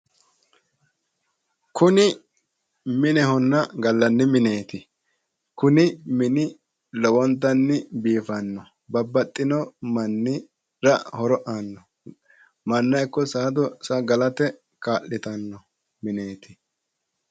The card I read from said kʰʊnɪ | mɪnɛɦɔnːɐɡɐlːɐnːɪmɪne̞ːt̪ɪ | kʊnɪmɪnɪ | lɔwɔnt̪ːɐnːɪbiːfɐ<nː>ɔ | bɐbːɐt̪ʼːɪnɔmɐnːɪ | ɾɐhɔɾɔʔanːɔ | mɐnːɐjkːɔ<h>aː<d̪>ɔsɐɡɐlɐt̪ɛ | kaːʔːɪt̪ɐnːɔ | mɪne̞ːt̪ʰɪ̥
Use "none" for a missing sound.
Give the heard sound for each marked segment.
nː, s, d̪

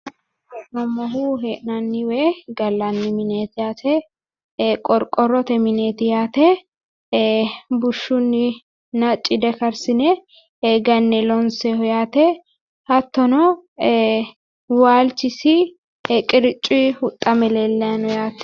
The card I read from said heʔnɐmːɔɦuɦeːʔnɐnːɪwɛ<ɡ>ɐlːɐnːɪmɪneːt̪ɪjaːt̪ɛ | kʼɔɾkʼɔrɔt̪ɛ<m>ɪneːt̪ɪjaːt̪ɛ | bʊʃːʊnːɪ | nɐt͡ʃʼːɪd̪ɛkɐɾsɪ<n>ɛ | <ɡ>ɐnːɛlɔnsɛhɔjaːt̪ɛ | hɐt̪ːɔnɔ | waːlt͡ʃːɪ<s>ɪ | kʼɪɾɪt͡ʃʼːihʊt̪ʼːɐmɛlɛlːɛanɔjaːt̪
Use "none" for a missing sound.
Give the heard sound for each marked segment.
ɡ, m, n, ɡ, s

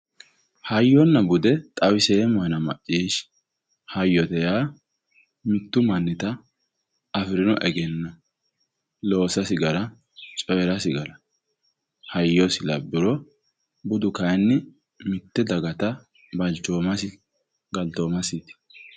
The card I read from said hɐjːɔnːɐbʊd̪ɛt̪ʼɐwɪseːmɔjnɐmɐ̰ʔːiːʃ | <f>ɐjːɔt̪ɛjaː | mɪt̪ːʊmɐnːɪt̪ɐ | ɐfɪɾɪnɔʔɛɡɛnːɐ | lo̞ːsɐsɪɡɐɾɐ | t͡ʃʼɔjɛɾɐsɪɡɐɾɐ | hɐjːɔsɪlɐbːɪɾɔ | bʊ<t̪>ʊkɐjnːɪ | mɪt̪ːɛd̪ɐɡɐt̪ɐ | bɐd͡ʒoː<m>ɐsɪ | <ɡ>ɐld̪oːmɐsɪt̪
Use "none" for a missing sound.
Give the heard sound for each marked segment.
h, d̪, m, ɡ

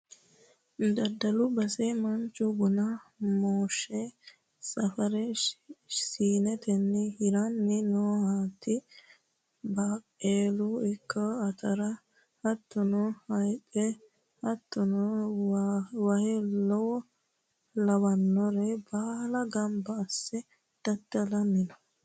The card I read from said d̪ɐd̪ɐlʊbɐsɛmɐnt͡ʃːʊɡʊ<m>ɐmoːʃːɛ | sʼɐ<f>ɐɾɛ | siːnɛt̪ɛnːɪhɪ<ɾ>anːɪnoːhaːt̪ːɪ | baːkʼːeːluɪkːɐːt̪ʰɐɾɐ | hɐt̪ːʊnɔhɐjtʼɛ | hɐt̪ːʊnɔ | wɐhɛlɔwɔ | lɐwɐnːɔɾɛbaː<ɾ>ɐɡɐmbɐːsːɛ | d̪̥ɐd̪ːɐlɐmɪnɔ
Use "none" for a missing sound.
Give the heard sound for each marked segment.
n, f, ɾ, l

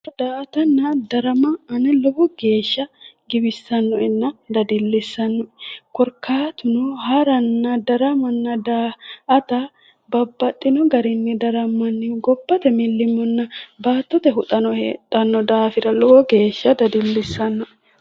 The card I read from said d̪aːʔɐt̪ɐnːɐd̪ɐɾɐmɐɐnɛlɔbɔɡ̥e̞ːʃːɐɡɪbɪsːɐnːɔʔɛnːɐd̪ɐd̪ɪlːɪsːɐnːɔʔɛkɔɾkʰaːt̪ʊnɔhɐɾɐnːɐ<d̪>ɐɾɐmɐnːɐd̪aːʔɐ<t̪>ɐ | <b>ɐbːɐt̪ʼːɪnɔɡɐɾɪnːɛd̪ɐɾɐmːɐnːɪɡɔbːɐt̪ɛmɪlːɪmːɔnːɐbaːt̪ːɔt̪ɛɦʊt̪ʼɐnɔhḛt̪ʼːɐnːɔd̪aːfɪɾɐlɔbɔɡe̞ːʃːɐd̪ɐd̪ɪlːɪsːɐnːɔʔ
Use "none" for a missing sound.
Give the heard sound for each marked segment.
d̪, t̪, b

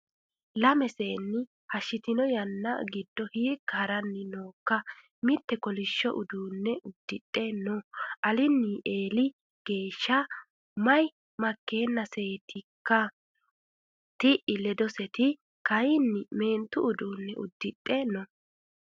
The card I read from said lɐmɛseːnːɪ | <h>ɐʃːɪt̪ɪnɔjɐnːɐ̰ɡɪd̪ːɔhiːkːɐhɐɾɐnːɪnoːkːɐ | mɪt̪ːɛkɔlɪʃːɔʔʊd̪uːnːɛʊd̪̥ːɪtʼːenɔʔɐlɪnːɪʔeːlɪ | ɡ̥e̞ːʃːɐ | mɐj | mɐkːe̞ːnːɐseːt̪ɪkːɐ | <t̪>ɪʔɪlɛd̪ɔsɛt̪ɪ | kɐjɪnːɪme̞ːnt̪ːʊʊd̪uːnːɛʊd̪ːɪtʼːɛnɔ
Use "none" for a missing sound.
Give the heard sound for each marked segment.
h, t̪

